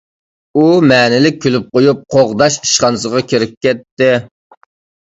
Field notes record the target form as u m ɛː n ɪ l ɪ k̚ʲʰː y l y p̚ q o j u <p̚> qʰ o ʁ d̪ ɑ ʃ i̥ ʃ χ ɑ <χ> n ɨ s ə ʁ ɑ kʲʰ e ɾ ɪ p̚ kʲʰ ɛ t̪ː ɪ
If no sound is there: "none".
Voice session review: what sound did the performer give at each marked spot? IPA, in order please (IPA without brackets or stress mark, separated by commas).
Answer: p̚, none